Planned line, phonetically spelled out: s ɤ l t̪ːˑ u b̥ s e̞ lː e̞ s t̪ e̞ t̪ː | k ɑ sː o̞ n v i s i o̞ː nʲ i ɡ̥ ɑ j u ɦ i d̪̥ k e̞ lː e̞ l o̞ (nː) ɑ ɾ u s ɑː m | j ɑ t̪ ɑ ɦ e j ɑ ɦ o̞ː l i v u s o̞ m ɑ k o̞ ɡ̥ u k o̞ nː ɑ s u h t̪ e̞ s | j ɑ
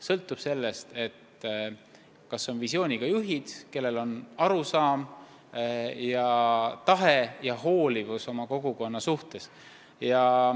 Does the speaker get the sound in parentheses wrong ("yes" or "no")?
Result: yes